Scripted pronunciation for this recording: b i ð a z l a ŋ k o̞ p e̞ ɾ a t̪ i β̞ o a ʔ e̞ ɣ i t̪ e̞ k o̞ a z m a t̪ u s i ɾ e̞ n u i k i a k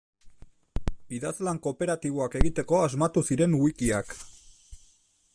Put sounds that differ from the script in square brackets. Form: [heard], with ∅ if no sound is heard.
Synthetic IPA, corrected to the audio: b i ð a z l a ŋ k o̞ p e̞ ɾ a t̪ i β̞ o a [k] e̞ ɣ i t̪ e̞ k o̞ a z m a t̪ u s i ɾ e̞ n u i k i a k